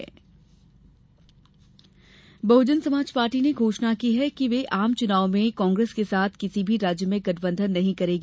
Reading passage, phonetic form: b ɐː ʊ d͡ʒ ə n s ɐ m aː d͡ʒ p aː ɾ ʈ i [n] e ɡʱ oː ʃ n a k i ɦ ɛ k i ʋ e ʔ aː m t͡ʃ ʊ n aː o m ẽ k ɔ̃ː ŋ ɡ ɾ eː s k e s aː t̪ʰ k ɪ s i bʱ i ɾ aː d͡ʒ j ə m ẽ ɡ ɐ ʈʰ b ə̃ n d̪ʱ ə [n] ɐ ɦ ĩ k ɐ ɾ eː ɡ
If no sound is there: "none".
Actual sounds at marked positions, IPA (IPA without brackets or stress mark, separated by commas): n, nː